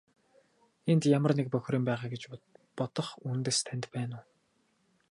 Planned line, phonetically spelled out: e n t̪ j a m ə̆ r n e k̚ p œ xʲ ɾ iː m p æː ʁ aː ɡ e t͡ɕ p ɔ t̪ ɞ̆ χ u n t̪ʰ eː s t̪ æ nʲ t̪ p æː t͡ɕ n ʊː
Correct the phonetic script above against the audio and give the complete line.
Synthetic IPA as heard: e n t̪ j a m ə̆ r n e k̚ p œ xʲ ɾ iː m p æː ʁ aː ɡ e t͡ɕ p ɔ t̪ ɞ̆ χ u n t̪ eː s t̪ʰ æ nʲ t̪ p æː n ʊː